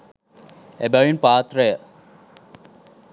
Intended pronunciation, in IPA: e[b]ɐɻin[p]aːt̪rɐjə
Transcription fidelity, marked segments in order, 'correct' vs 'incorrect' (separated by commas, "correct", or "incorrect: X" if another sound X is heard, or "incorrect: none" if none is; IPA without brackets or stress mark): correct, correct